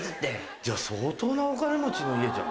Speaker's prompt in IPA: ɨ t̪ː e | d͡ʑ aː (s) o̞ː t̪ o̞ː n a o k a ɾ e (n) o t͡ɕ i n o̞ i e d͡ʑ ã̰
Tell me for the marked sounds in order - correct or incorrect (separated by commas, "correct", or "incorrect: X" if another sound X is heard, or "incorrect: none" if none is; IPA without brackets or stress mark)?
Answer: correct, incorrect: m